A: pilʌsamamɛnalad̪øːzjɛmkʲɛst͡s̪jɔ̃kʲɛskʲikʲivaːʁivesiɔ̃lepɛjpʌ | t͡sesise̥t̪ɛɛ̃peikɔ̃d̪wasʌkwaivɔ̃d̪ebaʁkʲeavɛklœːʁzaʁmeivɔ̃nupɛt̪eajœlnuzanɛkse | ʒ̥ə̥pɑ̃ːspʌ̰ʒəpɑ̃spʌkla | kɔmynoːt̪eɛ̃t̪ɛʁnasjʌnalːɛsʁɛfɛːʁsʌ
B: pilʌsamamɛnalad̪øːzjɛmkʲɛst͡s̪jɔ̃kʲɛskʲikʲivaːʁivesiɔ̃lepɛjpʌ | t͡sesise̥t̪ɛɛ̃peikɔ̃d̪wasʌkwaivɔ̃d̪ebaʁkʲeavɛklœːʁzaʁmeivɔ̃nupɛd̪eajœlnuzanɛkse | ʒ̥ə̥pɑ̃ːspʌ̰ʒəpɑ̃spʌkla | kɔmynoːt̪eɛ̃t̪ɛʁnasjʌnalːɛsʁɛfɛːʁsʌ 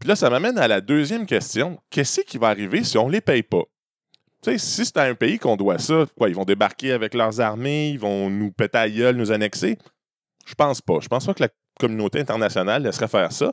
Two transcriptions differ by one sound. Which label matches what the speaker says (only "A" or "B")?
A